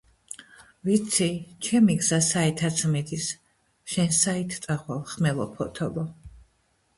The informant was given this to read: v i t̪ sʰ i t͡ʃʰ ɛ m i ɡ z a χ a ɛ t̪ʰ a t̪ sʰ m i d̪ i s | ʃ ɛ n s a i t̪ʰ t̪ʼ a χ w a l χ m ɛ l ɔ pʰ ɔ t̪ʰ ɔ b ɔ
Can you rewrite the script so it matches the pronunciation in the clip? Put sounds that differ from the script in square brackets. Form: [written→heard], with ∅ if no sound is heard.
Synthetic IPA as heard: v i t̪ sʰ i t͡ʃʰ ɛ m i ɡ z a [χ→s] a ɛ t̪ʰ a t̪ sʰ m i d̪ i s | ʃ ɛ n s a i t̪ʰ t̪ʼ a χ w a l χ m ɛ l ɔ pʰ ɔ t̪ʰ ɔ b ɔ